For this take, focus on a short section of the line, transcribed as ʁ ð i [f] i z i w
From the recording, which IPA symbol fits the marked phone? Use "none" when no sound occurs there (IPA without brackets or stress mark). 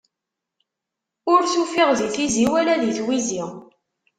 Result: θ